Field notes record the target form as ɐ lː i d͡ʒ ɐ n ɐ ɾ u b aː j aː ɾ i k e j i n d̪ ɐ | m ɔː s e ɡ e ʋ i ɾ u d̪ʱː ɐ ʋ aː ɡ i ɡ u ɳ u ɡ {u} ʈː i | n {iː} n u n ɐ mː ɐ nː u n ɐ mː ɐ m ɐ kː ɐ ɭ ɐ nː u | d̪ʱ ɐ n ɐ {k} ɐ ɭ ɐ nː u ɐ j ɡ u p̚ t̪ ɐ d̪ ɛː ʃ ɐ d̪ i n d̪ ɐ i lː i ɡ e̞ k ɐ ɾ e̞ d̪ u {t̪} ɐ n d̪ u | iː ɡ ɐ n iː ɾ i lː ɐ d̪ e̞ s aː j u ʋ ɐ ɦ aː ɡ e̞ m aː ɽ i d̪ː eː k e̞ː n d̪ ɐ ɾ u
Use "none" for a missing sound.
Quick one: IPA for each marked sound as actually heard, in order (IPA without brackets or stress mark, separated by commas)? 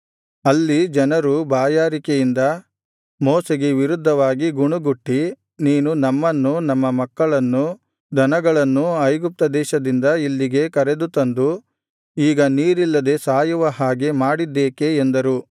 u, iː, ɡ, t̪